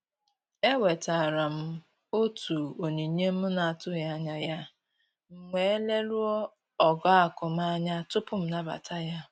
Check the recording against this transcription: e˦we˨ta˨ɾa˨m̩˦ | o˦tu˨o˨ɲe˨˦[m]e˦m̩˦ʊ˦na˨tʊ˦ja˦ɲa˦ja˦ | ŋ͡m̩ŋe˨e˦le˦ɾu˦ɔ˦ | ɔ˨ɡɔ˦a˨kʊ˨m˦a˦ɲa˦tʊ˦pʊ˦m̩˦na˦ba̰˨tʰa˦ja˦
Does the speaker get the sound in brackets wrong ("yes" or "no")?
yes